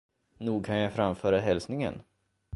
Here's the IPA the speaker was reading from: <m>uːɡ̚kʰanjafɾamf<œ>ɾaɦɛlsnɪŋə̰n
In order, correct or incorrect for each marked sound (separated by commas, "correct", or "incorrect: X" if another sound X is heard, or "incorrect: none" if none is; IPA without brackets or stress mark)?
incorrect: n, incorrect: œː